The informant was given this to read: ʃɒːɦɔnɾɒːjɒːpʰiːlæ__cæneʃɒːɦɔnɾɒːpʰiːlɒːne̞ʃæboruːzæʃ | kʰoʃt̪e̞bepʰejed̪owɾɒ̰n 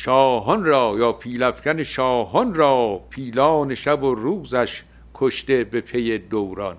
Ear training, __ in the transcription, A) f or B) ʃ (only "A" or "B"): A